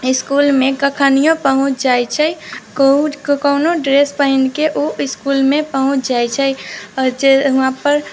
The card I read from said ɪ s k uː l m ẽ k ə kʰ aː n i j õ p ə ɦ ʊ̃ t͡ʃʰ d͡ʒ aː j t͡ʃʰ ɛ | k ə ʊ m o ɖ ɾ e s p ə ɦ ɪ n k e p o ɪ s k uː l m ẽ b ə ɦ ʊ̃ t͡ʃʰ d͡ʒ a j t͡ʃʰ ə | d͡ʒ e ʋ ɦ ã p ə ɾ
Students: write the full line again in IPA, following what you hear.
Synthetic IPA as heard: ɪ s k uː l m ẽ k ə kʰ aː n i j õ p ə ɦ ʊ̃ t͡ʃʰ d͡ʒ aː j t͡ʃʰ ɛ | k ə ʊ n o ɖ ɾ e s p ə ɦ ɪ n k e ʔ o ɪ s k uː l m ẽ p ə ɦ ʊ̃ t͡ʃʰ d͡ʒ a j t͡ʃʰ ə | d͡ʒ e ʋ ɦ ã p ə ɾ

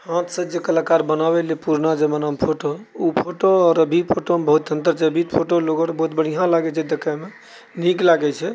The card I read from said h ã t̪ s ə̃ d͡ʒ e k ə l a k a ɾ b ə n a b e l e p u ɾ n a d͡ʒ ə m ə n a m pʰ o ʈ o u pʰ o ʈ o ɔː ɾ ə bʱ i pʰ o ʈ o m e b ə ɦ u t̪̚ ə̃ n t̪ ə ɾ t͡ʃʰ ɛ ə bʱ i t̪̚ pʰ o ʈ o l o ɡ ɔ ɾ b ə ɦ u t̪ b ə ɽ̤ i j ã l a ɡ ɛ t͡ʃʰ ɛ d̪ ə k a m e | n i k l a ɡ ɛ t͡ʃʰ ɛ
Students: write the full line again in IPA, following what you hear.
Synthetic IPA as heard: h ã t̪ s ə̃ d͡ʒ e k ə l a k a ɾ b ə n a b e l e p u ɾ n a d͡ʒ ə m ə n a m pʰ o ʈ o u pʰ o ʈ o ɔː ɾ ə bʱ i pʰ o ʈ o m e b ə ɦ u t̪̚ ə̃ n t̪ ə ɾ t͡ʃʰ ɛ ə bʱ i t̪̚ pʰ o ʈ o l o ɡ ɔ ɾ b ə ɦ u t̪ b ə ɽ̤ i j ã l a ɡ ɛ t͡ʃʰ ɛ d̪ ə k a m e | n i k l a ɡ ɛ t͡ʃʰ ɛ

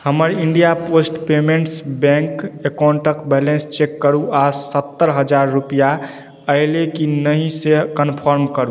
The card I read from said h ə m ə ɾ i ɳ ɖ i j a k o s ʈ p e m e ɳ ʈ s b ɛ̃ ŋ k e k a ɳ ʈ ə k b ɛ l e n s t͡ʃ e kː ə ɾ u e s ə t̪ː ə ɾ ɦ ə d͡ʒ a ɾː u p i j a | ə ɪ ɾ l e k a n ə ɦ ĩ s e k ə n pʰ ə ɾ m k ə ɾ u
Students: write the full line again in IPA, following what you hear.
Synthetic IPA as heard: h ə m ə ɾ i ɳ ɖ i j a p o s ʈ p e m e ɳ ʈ s b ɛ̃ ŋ k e k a ɳ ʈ ə k b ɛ l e n s t͡ʃ e kː ə ɾ u a s ə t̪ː ə ɾ ɦ ə d͡ʒ a ɾː u p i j a | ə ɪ l e k i n ə ɦ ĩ s e k ə n pʰ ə ɾ m k ə ɾ u

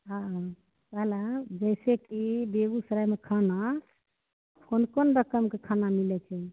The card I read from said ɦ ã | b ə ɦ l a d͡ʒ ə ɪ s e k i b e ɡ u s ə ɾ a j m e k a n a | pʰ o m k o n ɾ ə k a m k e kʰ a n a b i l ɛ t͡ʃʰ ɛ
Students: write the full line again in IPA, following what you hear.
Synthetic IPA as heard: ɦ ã | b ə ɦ l a d͡ʒ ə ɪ s e k i b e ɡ u s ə ɾ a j m e kʰ a n a | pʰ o n k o n ɾ ə k ə m k e kʰ a n a m i l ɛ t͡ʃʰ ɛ

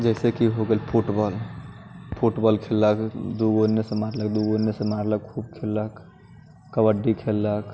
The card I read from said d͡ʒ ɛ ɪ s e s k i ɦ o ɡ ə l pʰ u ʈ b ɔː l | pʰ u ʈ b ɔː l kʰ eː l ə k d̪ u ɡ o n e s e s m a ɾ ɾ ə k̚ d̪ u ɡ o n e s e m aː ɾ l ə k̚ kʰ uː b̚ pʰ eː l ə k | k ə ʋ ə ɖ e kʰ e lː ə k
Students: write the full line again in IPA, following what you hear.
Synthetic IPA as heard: d͡ʒ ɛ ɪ s e k i ɦ o ɡ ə l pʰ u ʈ b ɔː l | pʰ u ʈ b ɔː l kʰ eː l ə k d̪ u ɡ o n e s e m a ɾ l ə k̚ d̪ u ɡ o n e s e m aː ɾ l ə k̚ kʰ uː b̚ kʰ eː l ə k | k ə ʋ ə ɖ i kʰ e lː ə k

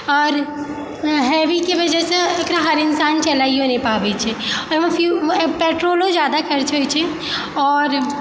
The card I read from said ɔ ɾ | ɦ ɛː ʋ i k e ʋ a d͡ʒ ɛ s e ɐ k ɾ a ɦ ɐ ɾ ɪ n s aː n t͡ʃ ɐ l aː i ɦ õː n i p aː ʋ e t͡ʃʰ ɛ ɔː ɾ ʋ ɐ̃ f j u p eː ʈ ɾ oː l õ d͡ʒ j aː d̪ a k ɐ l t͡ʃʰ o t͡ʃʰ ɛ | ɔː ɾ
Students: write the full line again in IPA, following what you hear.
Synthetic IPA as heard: ɔː ɾ | ɦ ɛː ʋ i k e ʋ ɐ d͡ʒ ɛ s e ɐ k ɾ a ɦ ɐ ɾ ɪ n s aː n t͡ʃ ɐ l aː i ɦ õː n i p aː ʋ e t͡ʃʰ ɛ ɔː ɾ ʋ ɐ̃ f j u p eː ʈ ɾ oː l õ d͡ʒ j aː d̪ a k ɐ ɾ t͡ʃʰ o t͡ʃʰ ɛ | ɔː ɾ

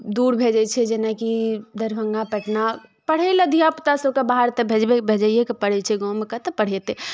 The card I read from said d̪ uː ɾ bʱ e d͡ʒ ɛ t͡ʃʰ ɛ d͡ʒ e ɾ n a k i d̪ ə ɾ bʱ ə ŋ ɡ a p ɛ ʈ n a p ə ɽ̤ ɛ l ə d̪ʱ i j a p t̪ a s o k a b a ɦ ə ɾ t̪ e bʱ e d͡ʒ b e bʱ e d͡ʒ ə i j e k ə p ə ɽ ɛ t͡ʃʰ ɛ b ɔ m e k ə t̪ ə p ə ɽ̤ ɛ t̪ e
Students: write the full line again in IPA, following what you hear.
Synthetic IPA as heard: d̪ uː ɾ bʱ e d͡ʒ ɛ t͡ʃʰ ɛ d͡ʒ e n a k i d̪ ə ɾ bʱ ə ŋ ɡ a p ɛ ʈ n a p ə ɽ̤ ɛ l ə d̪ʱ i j a p t̪ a s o k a b a ɦ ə ɾ t̪ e bʱ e d͡ʒ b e bʱ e d͡ʒ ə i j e k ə p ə ɽ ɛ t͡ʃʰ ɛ ɡ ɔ m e k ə t̪ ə p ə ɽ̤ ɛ t̪ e

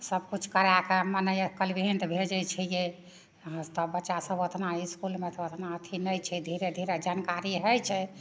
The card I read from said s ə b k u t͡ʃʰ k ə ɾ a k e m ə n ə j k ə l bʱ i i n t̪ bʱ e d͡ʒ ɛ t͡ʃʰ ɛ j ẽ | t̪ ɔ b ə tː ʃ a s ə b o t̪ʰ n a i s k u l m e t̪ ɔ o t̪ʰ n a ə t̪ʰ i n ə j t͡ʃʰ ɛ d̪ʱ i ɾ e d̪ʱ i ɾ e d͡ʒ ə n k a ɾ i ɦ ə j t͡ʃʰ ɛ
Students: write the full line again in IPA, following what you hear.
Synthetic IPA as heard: s ə b k u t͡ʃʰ k ə ɾ a k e m ə n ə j k ə l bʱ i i n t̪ bʱ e d͡ʒ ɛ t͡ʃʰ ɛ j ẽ | t̪ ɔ b ə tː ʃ a s ə b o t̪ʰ n a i s k u l m e t̪ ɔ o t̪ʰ n a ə t̪ʰ i n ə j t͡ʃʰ ɛ d̪ʱ i ɾ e d̪ʱ i ɾ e d͡ʒ a n k a ɾ i ɦ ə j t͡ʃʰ ɛ

